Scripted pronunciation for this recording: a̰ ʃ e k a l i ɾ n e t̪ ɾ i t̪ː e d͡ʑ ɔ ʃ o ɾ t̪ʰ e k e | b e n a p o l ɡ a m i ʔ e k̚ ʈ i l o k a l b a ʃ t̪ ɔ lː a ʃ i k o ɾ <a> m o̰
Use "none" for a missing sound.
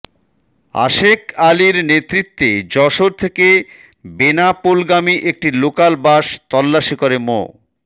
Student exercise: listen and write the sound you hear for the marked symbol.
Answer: e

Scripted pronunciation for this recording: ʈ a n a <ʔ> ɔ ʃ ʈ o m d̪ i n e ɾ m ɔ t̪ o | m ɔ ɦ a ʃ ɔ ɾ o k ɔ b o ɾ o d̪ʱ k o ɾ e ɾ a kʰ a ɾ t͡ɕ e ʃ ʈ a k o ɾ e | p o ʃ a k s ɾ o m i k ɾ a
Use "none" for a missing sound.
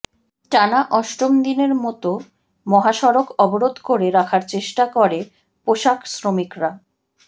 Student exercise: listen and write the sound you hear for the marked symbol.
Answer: ʔ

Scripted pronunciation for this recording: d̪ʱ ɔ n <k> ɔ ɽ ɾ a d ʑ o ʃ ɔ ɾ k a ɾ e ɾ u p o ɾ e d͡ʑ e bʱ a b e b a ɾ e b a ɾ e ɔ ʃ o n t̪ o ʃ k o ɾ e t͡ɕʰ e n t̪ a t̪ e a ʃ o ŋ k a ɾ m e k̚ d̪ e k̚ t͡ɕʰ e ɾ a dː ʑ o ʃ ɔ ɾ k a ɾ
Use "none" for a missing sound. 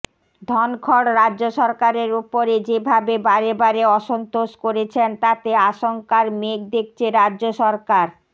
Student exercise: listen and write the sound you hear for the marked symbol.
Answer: kʰ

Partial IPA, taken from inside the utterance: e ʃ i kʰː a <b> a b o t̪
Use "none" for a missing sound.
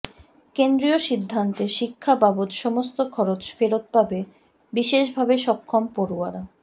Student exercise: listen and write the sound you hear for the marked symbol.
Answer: b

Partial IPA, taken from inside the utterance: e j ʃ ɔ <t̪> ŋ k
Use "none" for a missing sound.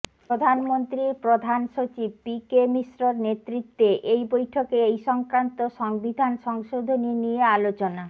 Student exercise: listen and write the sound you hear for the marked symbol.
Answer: none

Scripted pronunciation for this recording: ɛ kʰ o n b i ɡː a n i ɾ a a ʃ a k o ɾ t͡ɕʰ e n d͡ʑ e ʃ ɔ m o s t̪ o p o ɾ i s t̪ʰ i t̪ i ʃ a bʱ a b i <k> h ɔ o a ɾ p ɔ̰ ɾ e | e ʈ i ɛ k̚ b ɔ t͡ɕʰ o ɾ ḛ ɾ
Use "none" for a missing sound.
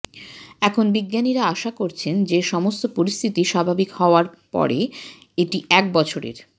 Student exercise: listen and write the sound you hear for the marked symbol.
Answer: k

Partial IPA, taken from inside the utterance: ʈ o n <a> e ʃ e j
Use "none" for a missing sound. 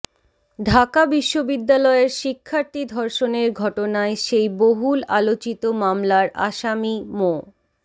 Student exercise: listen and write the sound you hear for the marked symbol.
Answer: a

